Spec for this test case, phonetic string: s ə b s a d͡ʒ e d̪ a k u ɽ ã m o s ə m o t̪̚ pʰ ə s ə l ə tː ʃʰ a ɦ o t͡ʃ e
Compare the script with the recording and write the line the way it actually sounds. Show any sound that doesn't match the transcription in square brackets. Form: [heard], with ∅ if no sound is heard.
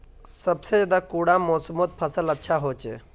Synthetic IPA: s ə b s [e] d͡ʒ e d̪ a k u ɽ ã m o s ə m o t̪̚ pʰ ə s ə l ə tː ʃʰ a ɦ o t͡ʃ e